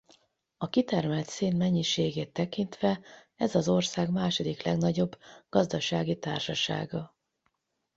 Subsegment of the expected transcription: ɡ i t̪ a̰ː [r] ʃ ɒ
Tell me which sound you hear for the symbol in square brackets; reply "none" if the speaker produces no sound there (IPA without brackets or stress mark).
r